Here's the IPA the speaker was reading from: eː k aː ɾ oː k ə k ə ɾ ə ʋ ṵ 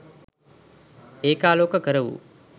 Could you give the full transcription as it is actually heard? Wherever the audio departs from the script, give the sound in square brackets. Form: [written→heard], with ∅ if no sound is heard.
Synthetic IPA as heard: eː k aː [ɾ→l] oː k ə k ə ɾ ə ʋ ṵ